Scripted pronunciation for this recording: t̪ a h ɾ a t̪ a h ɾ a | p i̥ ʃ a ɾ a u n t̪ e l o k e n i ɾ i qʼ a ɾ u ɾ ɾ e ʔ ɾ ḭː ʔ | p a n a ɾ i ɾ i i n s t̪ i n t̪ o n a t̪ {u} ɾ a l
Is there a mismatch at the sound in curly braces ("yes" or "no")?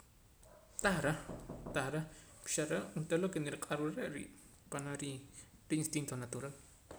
no